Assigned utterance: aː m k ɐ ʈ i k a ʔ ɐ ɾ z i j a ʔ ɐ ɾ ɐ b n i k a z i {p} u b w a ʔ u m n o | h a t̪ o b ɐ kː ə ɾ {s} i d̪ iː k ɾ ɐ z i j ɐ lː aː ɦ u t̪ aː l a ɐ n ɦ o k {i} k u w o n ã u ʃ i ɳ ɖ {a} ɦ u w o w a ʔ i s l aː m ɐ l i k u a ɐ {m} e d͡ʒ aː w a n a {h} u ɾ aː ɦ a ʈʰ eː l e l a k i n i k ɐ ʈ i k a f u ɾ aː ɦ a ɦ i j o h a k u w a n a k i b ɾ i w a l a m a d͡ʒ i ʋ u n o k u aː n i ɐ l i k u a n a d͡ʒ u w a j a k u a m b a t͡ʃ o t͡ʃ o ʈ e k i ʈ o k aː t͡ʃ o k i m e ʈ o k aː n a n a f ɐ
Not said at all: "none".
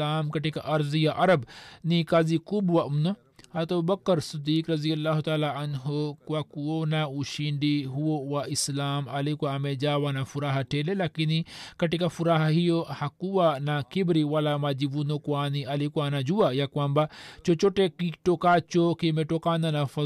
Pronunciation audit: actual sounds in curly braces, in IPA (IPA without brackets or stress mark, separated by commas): k, s, a, i, m, f